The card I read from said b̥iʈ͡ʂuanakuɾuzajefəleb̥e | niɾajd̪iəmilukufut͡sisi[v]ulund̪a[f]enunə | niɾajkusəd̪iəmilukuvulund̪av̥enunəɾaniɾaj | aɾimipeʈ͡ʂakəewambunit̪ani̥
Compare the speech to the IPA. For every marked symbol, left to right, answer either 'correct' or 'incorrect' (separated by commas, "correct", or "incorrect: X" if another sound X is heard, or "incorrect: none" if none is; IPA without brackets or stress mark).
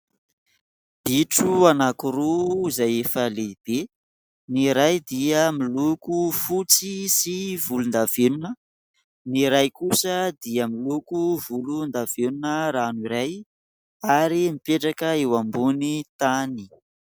correct, incorrect: v